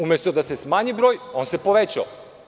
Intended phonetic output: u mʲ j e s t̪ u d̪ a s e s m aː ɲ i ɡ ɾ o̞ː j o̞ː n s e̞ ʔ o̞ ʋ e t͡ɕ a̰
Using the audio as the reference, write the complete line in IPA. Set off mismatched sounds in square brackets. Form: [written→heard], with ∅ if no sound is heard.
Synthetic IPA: u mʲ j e s t̪ [u→o] d̪ a s e s m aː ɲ i [ɡ→b] ɾ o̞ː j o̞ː n s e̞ [ʔ→p] o̞ ʋ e t͡ɕ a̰